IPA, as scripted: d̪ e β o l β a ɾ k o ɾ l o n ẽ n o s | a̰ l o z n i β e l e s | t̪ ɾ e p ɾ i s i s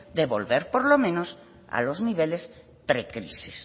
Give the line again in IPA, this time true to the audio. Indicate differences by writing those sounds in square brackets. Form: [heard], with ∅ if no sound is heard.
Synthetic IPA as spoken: d̪ e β o l β [e] ɾ [p] o ɾ l o [m] ẽ n o s | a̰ l o z n i β e l e s | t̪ ɾ e [k] ɾ i s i s